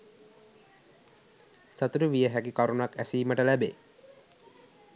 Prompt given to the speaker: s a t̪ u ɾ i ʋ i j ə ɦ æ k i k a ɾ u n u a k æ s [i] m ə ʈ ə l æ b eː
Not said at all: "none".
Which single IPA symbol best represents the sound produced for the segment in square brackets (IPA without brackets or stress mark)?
iː